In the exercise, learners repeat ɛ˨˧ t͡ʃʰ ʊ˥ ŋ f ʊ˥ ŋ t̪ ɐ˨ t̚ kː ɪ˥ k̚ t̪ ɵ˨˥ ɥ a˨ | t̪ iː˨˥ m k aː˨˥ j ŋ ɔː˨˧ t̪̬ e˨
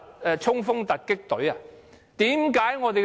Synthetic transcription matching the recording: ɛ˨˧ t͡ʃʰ ʊ˥ ŋ f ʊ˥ ŋ t̪ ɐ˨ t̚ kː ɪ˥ k̚ t̪ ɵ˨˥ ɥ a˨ | t̪ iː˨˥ m k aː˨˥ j ŋ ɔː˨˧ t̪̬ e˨

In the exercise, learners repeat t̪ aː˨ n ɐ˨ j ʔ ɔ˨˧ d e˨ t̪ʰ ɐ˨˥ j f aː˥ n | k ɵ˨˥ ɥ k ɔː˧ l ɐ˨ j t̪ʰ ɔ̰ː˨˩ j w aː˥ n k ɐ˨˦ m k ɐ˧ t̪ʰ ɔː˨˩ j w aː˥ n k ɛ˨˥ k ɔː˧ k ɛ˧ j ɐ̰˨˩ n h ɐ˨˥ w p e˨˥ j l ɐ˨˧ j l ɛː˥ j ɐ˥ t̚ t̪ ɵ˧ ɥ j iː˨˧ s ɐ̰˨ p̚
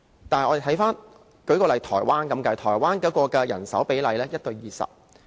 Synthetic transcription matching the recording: t̪ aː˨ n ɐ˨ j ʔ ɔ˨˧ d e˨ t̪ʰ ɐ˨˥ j f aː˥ n | k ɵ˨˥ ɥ k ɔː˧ l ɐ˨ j t̪ʰ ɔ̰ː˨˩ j w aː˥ n k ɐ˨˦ m k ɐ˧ t̪ʰ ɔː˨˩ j w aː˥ n k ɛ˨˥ k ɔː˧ k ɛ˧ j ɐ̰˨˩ n s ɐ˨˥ w p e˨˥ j l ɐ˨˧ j l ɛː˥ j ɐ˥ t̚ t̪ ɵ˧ ɥ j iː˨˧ s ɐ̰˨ p̚

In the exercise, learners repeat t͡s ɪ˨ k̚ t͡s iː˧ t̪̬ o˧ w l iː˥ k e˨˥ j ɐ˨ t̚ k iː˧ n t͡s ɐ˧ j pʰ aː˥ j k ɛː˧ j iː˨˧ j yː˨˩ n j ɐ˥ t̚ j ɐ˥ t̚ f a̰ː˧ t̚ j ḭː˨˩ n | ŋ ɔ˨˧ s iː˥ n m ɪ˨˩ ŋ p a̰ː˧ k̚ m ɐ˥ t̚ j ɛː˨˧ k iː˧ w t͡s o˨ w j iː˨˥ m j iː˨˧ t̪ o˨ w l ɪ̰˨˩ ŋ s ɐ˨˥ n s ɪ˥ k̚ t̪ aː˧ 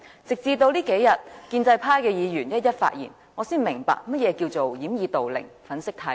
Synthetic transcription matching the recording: t͡s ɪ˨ k̚ t͡s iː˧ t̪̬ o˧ w l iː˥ k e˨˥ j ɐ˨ t̚ k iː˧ n t͡s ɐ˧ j pʰ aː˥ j k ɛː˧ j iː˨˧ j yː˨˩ n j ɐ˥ t̚ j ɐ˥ t̚ f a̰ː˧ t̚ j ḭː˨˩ n | ŋ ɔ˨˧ s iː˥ n m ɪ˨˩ ŋ p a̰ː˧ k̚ m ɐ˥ t̚ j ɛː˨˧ k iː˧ w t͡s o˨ w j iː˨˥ m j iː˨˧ t̪ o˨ w l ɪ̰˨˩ ŋ f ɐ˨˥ n s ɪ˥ k̚ t̪ʰ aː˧

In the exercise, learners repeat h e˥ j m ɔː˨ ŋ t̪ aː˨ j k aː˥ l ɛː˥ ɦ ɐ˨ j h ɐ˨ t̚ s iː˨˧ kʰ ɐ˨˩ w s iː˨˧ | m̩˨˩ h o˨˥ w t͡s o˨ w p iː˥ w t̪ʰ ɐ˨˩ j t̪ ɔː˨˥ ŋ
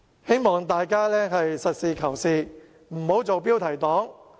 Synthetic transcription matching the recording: h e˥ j m ɔː˨ ŋ t̪ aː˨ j k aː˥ l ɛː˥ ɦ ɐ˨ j s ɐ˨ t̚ s iː˨˧ kʰ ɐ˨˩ w s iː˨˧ | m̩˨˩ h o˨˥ w t͡s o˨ w p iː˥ w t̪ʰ ɐ˨˩ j t̪ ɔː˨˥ ŋ

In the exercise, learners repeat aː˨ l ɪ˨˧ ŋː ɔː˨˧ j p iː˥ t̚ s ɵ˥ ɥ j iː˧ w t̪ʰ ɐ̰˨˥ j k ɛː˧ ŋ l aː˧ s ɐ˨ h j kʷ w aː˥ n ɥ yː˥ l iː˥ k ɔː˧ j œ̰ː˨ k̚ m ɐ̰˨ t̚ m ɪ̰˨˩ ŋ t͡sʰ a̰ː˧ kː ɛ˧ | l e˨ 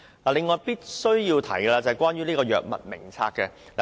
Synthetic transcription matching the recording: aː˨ l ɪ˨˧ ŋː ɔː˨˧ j p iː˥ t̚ s ɵ˥ ɥ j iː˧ w t̪ʰ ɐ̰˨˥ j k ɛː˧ l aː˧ t͡s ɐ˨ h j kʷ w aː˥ n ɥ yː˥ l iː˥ k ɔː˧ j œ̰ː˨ k̚ m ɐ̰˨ t̚ m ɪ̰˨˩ ŋ t͡sʰ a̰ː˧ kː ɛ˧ | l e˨

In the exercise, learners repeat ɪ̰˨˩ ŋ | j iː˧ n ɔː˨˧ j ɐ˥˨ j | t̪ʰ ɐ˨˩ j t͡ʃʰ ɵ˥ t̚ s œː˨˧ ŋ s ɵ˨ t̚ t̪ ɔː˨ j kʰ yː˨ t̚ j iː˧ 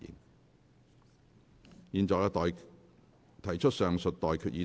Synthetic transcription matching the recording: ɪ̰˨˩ ŋ | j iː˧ n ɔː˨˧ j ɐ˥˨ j | t̪ʰ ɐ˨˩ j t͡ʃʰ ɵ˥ t̚ s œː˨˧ ŋ s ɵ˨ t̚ t̪ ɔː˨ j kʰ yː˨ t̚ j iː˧

